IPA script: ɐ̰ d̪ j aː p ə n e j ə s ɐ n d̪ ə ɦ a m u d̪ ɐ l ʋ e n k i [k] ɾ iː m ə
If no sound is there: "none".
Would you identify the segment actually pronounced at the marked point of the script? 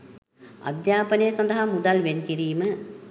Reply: none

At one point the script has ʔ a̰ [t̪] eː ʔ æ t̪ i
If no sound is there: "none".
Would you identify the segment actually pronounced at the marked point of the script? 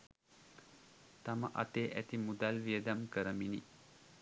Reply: t̪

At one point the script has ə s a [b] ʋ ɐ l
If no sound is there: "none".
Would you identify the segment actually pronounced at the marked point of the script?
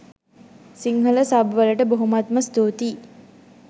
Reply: b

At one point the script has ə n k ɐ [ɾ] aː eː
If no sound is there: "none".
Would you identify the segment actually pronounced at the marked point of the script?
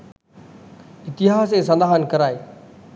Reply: ɾ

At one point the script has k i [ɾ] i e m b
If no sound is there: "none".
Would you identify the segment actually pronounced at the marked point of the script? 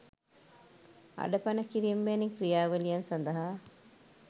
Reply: ɾ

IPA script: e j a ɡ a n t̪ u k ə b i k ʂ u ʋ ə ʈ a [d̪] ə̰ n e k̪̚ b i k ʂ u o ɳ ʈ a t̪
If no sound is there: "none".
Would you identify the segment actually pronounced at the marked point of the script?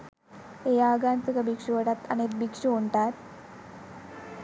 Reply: t̪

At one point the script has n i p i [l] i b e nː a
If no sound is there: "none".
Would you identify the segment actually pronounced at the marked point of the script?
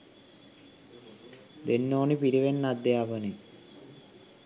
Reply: ɾ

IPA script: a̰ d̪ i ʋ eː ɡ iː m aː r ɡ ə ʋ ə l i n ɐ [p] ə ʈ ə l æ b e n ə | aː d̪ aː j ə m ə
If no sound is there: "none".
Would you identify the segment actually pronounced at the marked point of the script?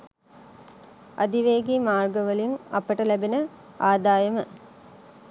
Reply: p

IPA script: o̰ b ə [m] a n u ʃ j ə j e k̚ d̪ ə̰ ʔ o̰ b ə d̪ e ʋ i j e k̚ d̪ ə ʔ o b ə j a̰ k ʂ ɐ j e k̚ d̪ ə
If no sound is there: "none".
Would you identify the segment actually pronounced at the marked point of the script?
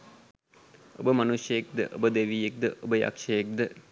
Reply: m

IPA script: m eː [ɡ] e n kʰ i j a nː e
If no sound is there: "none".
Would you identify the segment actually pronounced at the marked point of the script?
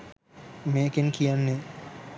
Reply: k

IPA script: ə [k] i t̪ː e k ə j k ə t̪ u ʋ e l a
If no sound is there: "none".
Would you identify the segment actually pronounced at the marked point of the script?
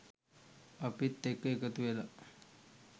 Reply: p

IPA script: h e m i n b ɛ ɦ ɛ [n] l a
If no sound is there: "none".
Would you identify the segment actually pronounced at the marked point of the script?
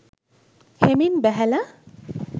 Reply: none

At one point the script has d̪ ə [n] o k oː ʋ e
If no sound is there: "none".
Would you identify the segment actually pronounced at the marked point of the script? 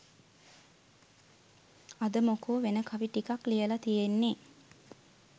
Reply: m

